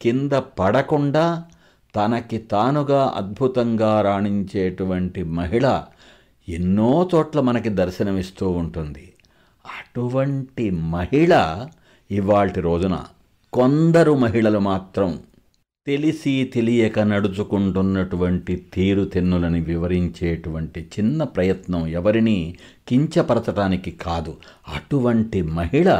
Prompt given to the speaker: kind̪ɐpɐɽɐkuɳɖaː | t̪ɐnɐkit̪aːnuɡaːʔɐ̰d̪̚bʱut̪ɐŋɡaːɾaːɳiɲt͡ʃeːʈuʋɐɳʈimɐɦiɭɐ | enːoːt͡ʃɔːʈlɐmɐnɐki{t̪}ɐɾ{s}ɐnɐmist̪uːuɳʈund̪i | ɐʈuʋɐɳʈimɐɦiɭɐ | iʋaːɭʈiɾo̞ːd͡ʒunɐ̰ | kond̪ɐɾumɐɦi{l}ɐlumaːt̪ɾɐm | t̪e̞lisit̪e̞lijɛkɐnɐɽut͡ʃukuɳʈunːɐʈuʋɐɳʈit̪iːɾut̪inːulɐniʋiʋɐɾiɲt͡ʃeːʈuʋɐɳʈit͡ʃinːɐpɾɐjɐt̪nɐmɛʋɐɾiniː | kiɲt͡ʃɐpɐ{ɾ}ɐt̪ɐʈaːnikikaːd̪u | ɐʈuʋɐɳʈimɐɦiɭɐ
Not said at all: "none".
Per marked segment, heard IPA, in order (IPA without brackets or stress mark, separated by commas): d̪, ʃ, ɭ, ɾ